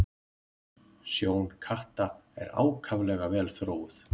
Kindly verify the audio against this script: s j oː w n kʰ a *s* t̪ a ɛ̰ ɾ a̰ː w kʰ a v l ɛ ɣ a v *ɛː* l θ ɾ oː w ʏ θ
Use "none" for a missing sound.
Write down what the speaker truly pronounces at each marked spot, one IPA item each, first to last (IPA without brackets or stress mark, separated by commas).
h, ɛː